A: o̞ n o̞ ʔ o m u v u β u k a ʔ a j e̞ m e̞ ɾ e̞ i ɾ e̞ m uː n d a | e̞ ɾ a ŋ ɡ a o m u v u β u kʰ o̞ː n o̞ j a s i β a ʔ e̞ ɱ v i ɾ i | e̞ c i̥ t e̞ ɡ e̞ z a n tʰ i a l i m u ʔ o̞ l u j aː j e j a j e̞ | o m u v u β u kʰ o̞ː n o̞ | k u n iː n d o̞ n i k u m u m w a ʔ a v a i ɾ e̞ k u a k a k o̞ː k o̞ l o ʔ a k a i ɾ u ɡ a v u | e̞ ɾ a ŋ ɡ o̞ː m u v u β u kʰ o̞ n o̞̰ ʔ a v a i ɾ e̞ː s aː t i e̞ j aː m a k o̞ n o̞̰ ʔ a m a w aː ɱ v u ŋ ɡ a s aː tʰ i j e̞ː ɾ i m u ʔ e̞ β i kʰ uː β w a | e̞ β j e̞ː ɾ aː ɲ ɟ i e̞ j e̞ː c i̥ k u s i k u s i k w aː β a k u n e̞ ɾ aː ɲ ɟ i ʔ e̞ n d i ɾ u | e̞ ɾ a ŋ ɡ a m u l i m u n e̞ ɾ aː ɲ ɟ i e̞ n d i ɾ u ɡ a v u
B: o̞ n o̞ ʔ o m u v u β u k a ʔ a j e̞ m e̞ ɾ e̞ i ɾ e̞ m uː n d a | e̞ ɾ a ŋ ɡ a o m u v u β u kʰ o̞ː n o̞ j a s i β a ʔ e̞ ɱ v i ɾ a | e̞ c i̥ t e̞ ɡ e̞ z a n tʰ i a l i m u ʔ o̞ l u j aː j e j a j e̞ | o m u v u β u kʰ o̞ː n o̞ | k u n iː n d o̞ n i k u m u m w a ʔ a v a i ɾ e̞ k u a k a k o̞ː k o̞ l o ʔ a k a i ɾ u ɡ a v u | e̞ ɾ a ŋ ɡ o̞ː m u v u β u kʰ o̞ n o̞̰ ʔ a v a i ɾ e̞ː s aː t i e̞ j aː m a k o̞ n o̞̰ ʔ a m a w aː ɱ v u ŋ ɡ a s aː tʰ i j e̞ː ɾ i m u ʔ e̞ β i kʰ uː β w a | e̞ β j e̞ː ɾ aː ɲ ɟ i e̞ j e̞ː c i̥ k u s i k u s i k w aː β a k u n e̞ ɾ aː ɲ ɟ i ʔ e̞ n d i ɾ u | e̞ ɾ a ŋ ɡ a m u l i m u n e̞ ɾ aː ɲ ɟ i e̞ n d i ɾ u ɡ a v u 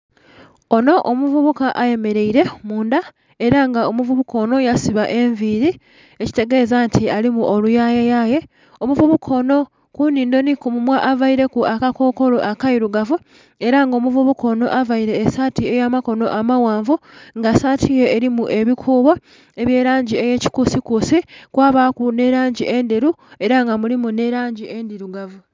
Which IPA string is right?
A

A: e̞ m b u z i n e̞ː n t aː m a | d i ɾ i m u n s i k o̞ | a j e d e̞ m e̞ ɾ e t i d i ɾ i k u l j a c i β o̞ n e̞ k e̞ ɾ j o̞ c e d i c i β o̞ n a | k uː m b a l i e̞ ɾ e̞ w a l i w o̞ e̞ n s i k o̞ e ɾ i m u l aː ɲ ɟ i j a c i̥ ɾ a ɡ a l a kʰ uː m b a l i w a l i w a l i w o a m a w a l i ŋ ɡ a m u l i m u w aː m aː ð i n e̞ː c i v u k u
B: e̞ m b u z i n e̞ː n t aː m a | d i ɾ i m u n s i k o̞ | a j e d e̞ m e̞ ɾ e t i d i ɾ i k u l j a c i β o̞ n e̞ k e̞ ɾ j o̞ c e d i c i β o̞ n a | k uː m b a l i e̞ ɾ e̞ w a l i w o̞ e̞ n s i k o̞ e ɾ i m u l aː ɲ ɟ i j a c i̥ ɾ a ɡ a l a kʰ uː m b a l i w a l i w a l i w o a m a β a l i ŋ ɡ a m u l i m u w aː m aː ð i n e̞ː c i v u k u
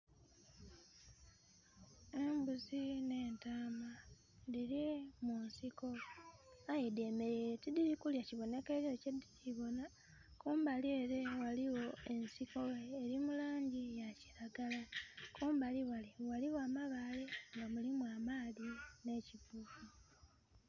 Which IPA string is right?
B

